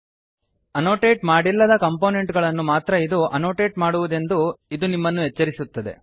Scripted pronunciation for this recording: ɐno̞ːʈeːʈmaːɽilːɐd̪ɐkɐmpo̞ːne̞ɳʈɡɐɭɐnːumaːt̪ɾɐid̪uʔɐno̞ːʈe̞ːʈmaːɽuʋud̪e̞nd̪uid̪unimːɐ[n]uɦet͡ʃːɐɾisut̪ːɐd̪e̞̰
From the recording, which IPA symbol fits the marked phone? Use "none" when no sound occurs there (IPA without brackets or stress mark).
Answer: nː